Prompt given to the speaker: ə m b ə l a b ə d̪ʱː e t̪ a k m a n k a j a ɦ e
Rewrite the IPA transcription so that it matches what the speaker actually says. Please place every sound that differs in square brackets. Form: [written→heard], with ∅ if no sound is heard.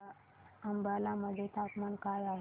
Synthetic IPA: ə m b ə l a [b→m] ə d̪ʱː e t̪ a [k→p] m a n k a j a ɦ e